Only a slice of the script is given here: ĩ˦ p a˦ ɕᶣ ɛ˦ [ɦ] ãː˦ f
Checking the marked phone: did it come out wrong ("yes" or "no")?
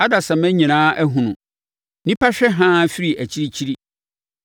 no